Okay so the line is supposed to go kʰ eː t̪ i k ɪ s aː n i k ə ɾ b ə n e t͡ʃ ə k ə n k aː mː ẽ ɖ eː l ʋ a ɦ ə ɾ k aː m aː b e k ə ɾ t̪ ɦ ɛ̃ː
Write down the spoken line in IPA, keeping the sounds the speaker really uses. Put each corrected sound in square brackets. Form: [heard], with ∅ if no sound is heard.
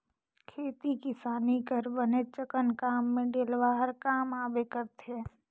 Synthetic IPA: kʰ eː t̪ i k ɪ s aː n i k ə ɾ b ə n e t͡ʃ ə k ə n k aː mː ẽ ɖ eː l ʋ a ɦ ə ɾ k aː m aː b e k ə ɾ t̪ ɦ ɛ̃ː